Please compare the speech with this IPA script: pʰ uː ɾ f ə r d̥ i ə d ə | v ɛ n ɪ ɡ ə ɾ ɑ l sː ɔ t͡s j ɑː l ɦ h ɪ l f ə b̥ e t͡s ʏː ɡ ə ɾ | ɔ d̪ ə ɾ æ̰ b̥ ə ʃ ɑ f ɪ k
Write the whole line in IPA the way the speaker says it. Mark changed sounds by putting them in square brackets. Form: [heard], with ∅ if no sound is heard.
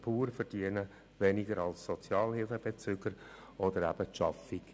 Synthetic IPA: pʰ uː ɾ f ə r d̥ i ə [n] ə | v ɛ n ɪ ɡ ə ɾ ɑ l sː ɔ t͡s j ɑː l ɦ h ɪ l f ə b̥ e t͡s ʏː ɡ ə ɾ | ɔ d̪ ə ɾ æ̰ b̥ ə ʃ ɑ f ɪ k